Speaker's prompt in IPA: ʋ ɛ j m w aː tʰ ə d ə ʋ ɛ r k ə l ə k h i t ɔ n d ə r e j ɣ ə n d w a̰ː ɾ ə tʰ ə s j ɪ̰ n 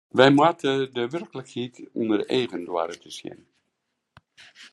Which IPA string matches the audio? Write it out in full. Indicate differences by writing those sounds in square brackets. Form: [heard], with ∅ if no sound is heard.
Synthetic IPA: ʋ ɛ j m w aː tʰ ə d ə ʋ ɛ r k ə l ə k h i t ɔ n d ə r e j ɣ ə n d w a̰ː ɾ ə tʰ ə s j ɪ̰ n